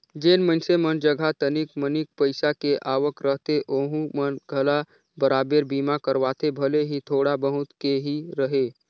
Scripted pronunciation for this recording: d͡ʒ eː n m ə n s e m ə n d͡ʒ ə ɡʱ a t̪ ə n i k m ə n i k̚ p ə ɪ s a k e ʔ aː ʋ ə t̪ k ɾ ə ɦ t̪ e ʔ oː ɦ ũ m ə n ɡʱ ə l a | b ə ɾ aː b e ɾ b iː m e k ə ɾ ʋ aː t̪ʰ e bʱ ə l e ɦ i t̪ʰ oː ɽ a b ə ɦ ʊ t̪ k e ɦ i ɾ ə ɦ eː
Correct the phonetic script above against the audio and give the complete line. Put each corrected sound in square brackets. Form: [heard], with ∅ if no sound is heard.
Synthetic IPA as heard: d͡ʒ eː n m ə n s e m ə n d͡ʒ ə ɡʱ a t̪ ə n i k m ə n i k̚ p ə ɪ s a k e ʔ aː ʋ ə [∅] k ɾ ə ɦ t̪ e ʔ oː ɦ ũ m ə n ɡʱ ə l a | b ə ɾ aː b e ɾ b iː m [a] k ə ɾ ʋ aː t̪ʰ e bʱ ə l e ɦ i t̪ʰ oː ɽ a b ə ɦ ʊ t̪ k e ɦ i ɾ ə ɦ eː